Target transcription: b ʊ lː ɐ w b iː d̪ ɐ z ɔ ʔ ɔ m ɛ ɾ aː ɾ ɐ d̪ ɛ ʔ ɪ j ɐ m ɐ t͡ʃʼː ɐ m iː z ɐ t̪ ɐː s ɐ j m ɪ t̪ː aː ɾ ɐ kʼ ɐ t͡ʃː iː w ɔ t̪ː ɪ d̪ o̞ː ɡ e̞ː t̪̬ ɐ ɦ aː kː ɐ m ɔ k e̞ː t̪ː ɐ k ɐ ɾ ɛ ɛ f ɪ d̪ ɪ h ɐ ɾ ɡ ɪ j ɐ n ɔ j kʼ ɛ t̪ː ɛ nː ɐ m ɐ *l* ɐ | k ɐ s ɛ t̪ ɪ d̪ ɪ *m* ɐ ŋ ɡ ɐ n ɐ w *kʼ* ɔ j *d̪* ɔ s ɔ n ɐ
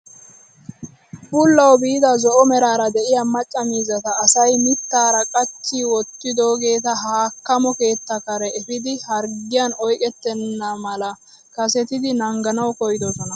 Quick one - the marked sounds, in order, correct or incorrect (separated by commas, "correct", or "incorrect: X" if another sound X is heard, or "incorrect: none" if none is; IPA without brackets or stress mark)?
correct, incorrect: n, incorrect: k, correct